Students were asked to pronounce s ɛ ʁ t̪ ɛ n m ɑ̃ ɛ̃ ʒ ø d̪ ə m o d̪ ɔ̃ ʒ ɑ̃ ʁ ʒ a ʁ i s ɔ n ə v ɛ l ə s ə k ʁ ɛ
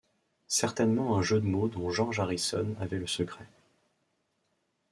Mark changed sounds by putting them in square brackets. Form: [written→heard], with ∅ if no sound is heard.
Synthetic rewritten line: s ɛ ʁ t̪ ɛ n m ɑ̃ ɛ̃ ʒ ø d̪ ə m o d̪ ɔ̃ ʒ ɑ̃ ʁ ʒ a ʁ i s ɔ n [ə→a] v ɛ l ə s ə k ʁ ɛ